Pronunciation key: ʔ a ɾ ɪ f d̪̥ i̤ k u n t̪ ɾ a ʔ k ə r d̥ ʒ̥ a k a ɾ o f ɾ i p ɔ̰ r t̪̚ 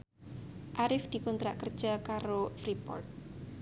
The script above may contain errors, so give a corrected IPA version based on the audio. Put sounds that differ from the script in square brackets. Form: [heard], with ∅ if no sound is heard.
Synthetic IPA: ʔ a ɾ ɪ f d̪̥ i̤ k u n t̪ ɾ a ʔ k ə r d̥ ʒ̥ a k a ɾ o f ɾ i p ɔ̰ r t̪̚